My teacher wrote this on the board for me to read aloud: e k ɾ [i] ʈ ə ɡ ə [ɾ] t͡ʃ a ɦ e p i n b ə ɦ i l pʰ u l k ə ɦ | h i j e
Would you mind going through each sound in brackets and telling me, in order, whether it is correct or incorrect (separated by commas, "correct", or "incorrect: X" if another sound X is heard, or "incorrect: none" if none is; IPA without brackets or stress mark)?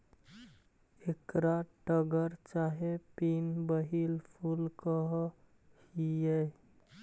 incorrect: a, correct